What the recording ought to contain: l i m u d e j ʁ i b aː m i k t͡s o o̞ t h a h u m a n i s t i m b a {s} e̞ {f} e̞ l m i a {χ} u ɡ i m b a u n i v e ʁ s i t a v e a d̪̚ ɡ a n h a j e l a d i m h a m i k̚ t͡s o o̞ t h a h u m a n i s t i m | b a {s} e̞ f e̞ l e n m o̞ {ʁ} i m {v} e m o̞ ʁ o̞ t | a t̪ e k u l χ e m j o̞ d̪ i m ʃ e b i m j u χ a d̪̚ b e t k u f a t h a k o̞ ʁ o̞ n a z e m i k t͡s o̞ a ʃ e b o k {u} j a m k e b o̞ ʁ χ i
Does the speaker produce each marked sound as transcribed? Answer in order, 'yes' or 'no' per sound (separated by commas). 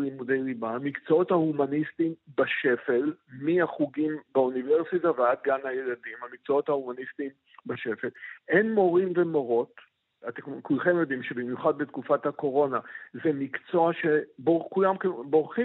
no, yes, yes, no, yes, yes, yes